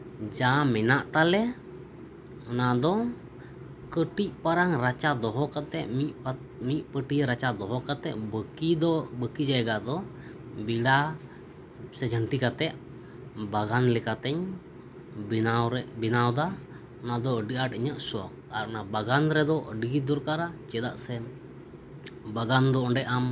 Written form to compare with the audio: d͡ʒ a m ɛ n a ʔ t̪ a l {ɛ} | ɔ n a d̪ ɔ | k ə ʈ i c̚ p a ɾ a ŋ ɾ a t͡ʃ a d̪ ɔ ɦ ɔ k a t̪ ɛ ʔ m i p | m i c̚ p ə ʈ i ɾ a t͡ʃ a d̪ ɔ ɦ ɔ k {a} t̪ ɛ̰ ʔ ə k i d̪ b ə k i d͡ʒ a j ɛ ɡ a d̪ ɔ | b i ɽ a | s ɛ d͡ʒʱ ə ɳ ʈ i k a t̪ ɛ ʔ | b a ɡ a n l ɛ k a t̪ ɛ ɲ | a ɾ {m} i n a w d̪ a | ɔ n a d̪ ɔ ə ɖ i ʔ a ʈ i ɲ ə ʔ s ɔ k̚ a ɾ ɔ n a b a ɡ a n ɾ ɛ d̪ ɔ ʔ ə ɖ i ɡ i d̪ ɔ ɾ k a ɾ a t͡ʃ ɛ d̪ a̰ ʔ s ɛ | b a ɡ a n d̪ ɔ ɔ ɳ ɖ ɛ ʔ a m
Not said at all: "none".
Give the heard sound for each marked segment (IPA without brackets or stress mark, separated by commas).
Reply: ɛ, a, b